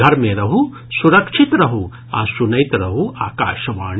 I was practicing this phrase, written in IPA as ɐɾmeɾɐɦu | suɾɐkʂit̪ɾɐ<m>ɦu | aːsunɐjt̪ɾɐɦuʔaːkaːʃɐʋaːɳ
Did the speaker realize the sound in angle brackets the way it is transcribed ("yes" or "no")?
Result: no